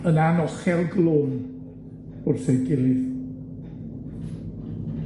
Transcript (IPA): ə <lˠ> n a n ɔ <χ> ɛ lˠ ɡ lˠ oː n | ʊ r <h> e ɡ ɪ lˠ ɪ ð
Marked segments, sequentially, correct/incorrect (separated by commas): incorrect, correct, incorrect